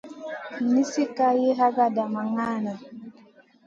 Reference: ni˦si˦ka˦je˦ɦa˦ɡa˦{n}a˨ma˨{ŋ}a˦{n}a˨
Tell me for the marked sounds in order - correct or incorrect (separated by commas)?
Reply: incorrect, correct, correct